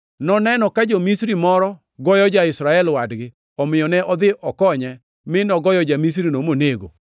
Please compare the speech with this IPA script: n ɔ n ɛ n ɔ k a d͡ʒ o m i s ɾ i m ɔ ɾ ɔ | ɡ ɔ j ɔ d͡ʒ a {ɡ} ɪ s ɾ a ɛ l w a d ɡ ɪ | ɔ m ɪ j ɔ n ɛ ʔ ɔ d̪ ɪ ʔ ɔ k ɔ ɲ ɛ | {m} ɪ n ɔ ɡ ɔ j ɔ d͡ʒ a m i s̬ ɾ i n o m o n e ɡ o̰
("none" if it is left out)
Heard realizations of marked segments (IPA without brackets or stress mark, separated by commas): none, m